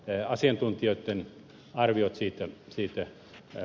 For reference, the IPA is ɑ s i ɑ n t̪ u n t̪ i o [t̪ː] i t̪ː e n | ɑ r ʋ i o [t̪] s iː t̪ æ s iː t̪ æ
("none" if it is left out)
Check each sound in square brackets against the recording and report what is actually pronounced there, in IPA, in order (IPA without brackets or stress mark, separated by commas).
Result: none, t̪